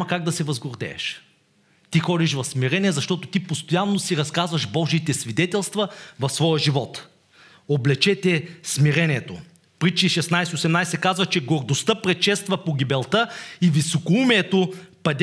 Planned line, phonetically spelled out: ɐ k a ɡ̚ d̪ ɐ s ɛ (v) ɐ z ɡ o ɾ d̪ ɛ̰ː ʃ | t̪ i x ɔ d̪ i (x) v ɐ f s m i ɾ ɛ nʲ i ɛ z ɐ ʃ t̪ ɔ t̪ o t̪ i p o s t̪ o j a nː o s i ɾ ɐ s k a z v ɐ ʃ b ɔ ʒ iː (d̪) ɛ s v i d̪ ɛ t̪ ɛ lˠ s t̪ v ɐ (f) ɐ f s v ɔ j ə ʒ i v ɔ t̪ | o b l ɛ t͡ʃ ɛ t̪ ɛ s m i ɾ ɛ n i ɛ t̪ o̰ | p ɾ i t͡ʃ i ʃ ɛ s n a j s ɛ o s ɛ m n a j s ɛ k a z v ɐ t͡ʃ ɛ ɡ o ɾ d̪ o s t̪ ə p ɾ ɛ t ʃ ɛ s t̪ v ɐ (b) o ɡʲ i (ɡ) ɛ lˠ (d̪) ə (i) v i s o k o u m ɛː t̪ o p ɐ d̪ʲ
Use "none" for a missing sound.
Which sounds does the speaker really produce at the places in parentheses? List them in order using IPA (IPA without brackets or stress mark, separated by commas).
v, ʃ, t̪, v, p, b, t̪, i